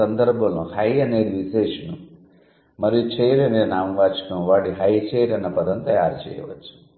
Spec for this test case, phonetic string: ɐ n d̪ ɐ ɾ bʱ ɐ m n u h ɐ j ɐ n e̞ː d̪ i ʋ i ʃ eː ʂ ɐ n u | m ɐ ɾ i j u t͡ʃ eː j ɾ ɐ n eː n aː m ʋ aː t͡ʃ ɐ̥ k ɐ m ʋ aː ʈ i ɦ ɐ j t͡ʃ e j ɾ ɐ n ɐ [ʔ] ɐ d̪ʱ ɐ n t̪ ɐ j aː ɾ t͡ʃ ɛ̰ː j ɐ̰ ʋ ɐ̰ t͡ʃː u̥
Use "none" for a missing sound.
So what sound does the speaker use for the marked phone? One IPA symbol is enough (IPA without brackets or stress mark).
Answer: p